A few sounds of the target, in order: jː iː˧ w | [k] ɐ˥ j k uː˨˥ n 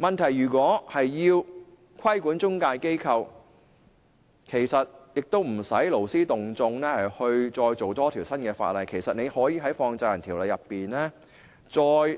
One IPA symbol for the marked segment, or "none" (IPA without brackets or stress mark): kʰ